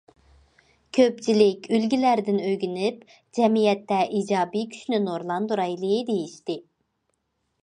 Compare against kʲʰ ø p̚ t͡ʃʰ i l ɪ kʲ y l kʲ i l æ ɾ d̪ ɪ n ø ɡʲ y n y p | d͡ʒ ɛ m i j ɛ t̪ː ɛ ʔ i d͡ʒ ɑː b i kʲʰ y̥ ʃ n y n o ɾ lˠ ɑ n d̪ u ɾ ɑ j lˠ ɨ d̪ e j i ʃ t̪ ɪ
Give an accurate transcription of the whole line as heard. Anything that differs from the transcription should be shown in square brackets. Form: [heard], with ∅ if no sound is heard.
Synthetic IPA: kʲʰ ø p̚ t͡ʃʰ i l ɪ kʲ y l [ɡʲ] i l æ ɾ d̪ ɪ n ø ɡʲ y n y p | d͡ʒ ɛ m i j ɛ t̪ː ɛ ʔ i d͡ʒ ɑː b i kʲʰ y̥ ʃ n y n o ɾ lˠ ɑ n d̪ u ɾ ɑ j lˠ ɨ d̪ e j i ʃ t̪ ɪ